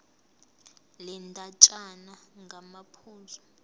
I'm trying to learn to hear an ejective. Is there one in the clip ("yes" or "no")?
yes